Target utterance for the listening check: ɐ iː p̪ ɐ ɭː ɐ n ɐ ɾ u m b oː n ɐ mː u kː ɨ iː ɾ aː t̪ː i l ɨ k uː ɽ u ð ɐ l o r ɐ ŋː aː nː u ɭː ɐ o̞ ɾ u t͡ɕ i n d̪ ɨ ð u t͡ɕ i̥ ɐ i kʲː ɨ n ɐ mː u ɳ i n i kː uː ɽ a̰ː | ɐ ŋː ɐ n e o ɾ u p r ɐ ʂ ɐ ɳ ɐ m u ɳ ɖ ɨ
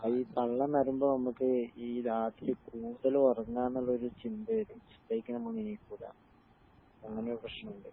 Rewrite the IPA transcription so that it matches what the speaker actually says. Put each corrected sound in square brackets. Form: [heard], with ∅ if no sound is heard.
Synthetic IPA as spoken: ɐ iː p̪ ɐ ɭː ɐ n ɐ ɾ u m b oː n ɐ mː u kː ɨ iː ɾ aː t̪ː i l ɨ k uː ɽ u ð ɐ l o r ɐ ŋː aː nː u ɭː ɐ o̞ ɾ u t͡ɕ i n d̪ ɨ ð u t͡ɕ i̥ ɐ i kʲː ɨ n ɐ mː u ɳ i n i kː uː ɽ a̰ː | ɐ ŋː ɐ n e o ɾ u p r ɐ ʂ ɐ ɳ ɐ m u ɳ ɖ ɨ